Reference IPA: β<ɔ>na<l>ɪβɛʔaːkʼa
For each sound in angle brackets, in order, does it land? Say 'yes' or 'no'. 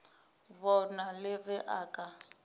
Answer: yes, yes

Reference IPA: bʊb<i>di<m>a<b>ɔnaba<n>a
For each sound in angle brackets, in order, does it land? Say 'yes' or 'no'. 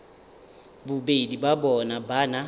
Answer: no, no, yes, yes

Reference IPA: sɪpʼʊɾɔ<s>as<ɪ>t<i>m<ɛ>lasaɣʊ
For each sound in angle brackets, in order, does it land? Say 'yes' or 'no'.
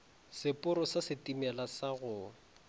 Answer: yes, yes, yes, yes

